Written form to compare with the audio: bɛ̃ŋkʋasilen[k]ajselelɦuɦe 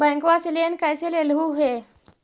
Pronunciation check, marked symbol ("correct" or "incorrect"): correct